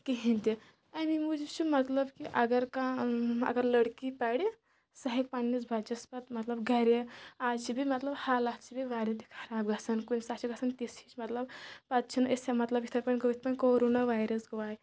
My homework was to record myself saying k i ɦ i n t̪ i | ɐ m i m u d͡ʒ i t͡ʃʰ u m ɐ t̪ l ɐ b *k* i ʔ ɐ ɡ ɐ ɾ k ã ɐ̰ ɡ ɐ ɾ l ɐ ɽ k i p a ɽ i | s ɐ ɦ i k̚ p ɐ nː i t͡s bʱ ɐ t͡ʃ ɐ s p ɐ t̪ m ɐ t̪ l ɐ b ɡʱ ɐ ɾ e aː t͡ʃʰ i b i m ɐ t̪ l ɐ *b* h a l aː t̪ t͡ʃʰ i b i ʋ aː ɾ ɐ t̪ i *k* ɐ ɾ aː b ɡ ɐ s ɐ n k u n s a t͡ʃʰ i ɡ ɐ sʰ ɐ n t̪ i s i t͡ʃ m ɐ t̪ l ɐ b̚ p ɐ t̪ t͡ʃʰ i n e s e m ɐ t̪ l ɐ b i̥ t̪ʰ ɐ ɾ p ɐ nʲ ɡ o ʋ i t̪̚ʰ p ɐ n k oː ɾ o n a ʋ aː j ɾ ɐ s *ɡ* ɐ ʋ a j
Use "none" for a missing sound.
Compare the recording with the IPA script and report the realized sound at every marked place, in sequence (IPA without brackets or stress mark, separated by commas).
k, b, kʰ, ɡ